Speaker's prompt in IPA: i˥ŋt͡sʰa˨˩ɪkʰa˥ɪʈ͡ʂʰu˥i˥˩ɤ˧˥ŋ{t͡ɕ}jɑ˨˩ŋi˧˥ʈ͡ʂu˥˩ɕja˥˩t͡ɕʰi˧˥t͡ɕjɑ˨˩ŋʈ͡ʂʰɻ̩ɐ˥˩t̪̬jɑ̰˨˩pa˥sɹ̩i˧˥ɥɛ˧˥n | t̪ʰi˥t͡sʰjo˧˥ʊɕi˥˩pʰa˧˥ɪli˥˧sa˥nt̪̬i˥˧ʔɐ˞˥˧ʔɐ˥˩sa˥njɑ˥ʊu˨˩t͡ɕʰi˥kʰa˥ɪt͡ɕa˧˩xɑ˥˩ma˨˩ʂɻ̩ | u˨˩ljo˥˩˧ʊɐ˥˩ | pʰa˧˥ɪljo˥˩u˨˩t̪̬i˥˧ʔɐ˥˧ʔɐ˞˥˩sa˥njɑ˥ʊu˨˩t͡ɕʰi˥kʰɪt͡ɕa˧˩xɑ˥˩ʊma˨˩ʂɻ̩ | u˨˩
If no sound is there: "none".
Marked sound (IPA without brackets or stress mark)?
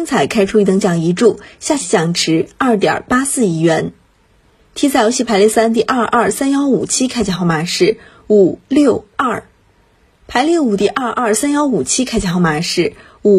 t͡ɕ